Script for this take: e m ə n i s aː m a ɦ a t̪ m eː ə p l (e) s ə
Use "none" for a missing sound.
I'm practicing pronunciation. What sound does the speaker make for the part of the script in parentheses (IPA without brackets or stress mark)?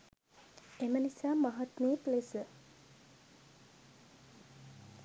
e